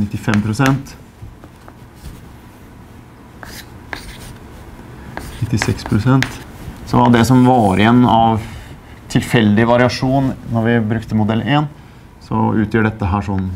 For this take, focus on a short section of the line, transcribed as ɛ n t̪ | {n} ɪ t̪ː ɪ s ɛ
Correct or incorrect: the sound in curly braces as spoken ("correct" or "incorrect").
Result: correct